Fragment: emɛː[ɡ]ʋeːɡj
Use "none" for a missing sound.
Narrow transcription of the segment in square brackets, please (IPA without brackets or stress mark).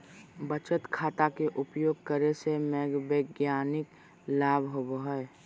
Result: ɡ